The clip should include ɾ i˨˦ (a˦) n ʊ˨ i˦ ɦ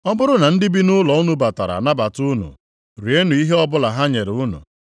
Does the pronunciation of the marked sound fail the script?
yes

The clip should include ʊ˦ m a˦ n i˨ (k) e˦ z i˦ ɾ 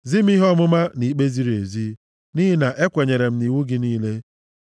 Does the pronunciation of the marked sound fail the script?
yes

